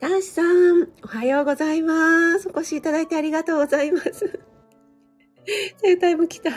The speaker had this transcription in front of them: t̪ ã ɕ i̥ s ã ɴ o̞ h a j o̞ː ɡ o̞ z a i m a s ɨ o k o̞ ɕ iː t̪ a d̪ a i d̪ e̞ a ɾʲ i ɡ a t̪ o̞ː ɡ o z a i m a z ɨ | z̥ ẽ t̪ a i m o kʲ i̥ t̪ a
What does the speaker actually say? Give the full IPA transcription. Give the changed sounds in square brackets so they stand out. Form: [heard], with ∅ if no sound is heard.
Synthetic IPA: t̪ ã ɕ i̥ s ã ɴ o̞ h a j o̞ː ɡ o̞ z a i m a s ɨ o k o̞ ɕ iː t̪ a d̪ a i [t̪] e̞ a ɾʲ i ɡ a t̪ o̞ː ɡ o z a i m a [s] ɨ | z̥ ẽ t̪ a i m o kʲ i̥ t̪ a